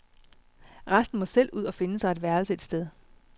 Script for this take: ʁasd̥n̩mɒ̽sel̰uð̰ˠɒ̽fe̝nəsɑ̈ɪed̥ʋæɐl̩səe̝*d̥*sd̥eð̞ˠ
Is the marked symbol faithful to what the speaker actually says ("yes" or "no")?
yes